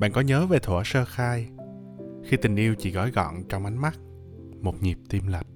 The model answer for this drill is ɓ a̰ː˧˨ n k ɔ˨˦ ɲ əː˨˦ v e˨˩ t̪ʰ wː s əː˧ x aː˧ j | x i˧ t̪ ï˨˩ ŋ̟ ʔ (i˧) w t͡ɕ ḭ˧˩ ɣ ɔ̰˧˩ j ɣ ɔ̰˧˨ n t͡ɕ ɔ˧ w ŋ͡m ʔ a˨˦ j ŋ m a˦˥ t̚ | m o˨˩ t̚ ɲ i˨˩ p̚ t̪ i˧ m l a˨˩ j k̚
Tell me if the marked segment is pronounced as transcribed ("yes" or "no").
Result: yes